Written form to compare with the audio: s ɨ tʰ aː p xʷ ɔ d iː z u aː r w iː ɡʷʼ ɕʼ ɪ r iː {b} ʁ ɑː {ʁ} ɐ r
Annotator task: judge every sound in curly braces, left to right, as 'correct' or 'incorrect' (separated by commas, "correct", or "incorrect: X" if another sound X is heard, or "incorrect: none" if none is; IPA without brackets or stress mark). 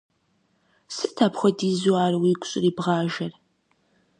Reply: correct, incorrect: ʒ